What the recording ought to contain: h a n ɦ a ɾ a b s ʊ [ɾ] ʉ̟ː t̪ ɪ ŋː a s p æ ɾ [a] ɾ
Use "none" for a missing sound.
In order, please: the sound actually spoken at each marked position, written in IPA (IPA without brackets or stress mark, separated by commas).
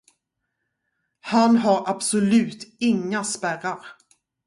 l, a